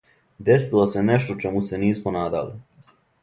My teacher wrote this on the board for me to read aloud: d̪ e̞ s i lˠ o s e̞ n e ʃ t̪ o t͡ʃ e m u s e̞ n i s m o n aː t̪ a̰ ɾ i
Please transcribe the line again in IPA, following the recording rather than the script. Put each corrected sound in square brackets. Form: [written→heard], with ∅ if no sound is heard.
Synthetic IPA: d̪ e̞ s i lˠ o s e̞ n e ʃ t̪ o t͡ʃ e m u s e̞ n [i→iː] s m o n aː [t̪→d̪] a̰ [ɾ→l] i